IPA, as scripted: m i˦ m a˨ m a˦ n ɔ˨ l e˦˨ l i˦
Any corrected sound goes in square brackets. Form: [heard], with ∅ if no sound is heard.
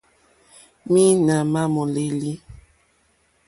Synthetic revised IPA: m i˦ [n] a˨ m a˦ [m] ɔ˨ l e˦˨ l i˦